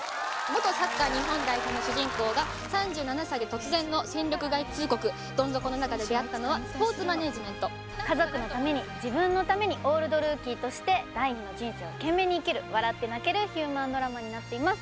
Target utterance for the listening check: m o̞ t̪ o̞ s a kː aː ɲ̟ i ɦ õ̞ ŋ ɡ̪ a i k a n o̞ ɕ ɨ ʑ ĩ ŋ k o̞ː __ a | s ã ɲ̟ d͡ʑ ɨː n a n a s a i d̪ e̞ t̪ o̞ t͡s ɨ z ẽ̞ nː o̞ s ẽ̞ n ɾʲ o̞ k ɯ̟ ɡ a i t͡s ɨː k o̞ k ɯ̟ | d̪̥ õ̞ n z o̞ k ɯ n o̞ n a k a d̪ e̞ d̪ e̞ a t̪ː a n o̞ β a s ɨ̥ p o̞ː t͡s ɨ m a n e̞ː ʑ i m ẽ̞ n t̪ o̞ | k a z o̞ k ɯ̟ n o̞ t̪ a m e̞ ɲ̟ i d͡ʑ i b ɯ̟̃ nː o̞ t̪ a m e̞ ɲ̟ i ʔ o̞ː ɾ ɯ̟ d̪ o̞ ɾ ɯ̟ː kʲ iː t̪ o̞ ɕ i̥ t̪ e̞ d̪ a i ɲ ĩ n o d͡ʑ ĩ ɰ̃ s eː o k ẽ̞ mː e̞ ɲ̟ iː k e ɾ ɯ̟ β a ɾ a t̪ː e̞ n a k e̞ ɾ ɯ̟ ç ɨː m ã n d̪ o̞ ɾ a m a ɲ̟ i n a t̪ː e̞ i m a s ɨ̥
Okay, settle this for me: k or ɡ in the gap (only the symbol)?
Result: ɡ